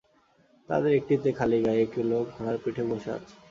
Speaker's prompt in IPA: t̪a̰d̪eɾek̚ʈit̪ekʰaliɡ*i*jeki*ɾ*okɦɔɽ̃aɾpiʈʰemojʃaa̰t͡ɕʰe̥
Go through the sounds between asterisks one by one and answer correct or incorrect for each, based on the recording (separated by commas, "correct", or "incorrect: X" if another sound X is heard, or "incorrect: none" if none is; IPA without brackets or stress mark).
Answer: incorrect: a, incorrect: l